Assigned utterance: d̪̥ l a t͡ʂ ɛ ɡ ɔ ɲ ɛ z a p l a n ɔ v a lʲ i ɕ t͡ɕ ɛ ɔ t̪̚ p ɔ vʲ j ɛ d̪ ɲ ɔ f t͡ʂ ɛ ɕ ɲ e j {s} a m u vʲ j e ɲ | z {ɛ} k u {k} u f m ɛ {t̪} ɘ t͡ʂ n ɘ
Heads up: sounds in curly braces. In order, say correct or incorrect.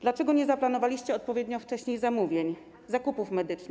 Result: incorrect: z, incorrect: a, incorrect: p, incorrect: d̪

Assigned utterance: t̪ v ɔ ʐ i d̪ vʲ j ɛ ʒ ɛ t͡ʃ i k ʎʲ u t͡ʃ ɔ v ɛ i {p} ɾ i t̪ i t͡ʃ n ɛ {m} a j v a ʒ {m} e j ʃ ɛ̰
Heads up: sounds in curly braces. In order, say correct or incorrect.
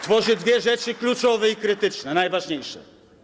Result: incorrect: k, incorrect: n, incorrect: ɲ

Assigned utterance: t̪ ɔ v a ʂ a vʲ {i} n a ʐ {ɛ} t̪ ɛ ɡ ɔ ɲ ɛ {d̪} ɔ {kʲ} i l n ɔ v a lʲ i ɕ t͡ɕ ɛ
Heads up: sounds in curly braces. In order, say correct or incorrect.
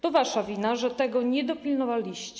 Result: correct, correct, correct, incorrect: pʲ

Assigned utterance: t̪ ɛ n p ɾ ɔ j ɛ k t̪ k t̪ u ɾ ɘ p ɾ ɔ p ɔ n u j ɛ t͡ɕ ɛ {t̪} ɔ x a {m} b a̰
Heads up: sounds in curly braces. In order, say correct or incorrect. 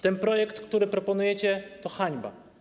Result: correct, incorrect: ɲ

